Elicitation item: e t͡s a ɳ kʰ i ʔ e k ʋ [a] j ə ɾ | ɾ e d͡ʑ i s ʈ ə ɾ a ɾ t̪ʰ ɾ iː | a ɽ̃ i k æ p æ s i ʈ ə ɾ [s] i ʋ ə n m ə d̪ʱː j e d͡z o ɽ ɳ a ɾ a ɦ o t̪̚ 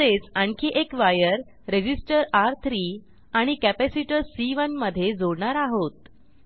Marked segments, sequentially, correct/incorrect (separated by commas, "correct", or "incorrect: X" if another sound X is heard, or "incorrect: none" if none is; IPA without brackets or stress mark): correct, correct